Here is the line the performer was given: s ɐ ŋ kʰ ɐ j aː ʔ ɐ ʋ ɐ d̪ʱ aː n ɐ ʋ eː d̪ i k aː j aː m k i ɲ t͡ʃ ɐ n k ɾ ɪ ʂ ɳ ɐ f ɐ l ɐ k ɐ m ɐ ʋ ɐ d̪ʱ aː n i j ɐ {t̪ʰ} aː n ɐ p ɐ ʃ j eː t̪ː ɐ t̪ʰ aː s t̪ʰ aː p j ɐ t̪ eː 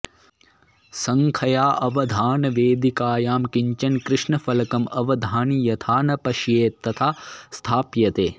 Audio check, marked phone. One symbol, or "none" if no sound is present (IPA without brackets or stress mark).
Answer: t̪ʰ